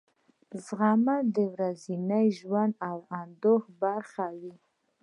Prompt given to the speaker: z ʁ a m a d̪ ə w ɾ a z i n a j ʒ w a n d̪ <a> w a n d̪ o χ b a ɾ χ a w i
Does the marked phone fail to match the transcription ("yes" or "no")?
no